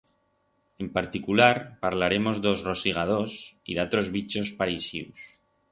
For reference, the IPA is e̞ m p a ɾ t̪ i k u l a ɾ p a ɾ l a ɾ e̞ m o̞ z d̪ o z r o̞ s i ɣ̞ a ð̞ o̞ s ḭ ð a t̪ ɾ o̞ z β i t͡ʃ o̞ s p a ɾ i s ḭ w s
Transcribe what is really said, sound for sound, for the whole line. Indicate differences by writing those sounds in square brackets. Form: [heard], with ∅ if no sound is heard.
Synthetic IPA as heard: e̞ m p a ɾ t̪ i k u l a ɾ p a ɾ l a ɾ e̞ m o̞ z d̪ o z r o̞ s i ɣ̞ a ð̞ o̞ s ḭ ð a t̪ ɾ o̞ z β i t͡ʃ o̞ s p a ɾ i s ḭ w s

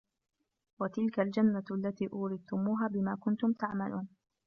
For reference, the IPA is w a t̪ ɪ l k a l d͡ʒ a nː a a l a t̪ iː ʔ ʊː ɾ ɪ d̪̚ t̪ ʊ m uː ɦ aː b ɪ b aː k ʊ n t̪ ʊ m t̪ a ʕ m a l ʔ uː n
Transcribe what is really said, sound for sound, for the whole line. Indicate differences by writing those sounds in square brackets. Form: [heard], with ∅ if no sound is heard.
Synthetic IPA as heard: w a t̪ ɪ l k a l d͡ʒ a nː a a [lː] a t̪ iː ʔ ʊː ɾ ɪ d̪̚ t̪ ʊ m uː ɦ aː b ɪ [m] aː k ʊ n t̪ ʊ m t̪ a ʕ m a l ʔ uː n

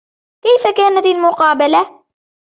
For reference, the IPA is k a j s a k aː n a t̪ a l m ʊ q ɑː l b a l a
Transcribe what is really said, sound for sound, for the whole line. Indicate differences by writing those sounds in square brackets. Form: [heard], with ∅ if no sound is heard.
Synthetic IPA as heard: k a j [f] a k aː n a t̪ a l m ʊ q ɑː [∅] b a l a

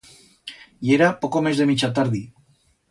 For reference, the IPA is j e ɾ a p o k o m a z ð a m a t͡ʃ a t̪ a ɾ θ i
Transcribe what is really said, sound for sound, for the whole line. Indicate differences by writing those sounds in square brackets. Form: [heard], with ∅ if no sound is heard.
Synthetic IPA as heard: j e ɾ a p o k o m [e] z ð [e] m [i] t͡ʃ a t̪ a ɾ [ð] i

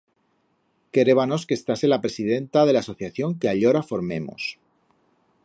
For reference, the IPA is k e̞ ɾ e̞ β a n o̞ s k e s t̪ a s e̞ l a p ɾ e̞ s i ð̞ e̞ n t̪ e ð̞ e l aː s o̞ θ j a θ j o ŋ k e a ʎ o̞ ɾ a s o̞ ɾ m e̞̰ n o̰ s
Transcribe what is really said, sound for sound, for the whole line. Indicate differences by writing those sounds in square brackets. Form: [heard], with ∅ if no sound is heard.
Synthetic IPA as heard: k e̞ ɾ e̞ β a n o̞ s k e s t̪ a s e̞ l a p ɾ e̞ s i ð̞ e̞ n t̪ [a] ð̞ e l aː s o̞ θ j a θ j o ŋ k e a ʎ o̞ ɾ a [f] o̞ ɾ m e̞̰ [m] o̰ s

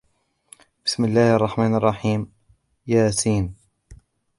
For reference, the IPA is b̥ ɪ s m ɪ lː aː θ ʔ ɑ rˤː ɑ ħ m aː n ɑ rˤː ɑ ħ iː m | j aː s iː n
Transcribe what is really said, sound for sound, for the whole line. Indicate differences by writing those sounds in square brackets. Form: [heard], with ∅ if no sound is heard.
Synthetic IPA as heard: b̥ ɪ s m ɪ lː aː [h] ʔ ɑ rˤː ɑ ħ m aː n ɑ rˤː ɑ ħ iː m | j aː s iː n

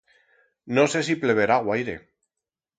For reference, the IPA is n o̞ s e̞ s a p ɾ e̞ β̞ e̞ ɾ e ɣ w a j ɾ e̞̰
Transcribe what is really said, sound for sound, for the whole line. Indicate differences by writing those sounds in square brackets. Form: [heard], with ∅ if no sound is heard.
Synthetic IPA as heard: n o̞ s e̞ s [i] p [l] e̞ β̞ e̞ ɾ [a] ɣ w a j ɾ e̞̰

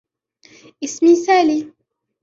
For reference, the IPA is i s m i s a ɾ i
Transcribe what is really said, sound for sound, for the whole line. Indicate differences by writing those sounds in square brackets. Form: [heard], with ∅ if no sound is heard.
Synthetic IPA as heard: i s m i s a [l] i

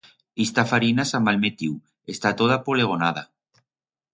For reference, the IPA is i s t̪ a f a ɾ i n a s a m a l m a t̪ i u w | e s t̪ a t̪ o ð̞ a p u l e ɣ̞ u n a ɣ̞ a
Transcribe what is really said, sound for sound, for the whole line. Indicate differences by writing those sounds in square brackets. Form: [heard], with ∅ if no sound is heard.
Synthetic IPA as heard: i s t̪ a f a ɾ i n a s a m a l m [e] t̪ i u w | e s t̪ a t̪ o ð̞ a p [o] l e ɣ̞ [o] n a [ð̞] a

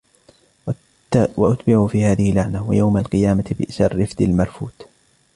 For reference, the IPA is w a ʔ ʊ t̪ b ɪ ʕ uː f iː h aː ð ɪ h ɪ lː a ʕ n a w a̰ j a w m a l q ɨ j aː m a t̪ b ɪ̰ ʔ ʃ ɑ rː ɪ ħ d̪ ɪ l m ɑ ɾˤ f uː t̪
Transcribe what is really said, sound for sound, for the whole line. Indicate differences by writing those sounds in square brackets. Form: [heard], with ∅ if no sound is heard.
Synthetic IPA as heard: w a ʔ ʊ t̪ b ɪ ʕ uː f iː h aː ð ɪ h ɪ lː a ʕ n a w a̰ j a w m a l q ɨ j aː m a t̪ b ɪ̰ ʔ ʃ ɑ rː ɪ [f] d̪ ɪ l m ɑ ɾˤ f uː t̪

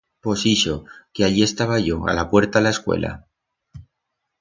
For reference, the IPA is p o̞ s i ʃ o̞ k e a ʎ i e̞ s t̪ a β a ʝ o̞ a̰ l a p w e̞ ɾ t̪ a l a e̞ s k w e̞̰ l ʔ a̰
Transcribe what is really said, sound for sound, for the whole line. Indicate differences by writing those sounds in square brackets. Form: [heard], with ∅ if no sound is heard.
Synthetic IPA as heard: p o̞ s i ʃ o̞ k e a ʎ i e̞ s t̪ a β a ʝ o̞ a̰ l a p w e̞ ɾ t̪ a l a e̞ s k w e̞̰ l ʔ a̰

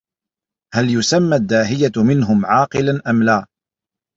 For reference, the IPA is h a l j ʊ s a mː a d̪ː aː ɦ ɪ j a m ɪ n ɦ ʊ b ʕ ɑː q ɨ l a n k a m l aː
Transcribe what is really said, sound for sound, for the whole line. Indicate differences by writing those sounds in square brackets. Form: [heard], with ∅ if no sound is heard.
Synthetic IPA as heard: h a l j ʊ s a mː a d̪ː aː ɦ ɪ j a m ɪ n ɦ ʊ [m] ʕ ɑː q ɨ l a n [ʔ] a m l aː

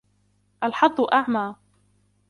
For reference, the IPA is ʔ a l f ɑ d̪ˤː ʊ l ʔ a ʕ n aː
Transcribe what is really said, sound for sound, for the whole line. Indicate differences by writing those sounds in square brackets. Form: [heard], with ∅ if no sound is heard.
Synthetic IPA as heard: ʔ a l [ħ] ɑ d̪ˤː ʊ [∅] ʔ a ʕ [m] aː

